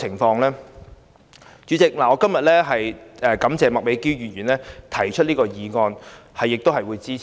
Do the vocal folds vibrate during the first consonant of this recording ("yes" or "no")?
yes